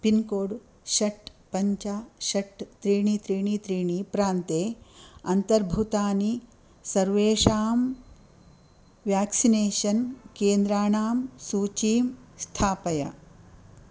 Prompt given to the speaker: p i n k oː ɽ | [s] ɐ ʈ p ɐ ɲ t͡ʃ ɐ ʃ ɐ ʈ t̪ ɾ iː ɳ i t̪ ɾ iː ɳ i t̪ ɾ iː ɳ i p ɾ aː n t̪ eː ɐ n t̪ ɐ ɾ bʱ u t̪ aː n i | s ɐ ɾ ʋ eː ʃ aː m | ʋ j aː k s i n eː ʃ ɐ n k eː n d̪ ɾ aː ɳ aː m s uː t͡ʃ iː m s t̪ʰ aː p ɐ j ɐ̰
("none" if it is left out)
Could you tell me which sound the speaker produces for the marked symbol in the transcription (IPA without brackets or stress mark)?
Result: ʃ